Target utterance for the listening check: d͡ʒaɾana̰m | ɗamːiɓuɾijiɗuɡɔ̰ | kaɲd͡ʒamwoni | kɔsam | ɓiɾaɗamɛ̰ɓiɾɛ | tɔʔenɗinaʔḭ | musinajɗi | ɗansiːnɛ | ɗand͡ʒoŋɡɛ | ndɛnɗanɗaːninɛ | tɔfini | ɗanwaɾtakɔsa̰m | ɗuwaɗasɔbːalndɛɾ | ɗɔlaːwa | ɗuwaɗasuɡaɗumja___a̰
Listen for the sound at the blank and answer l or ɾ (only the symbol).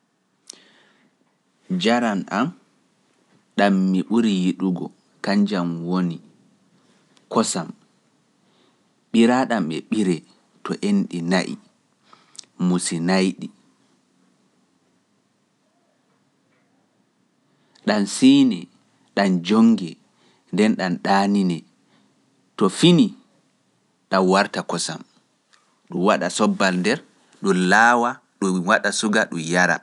ɾ